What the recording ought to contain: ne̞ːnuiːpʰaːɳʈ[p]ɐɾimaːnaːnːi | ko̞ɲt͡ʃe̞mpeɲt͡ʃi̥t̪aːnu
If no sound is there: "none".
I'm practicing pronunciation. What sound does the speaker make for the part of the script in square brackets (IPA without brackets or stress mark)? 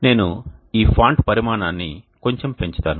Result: p